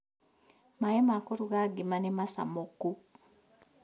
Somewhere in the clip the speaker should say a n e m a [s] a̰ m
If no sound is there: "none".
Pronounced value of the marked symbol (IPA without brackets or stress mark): s